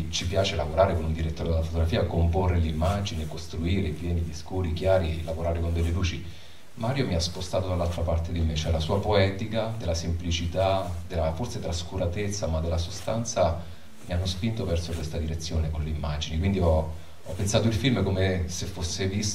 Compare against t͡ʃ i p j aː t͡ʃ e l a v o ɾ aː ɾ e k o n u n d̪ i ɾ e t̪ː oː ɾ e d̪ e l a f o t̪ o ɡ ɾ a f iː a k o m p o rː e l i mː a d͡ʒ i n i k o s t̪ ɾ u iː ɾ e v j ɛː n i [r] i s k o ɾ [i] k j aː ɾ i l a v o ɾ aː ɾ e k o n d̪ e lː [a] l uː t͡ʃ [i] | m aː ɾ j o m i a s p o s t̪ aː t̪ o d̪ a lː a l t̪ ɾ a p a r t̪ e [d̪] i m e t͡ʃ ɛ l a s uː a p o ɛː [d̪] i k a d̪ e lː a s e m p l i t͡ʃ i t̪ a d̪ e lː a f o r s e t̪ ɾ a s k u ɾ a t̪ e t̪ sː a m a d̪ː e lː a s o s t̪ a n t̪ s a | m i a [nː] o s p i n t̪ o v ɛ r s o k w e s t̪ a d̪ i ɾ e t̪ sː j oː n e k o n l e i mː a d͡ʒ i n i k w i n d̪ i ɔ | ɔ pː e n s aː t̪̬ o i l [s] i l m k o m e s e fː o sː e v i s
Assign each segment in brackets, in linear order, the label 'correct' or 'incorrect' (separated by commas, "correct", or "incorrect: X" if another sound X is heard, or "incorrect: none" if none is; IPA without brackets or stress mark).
incorrect: ʎ, correct, incorrect: e, correct, correct, incorrect: t̪, correct, incorrect: f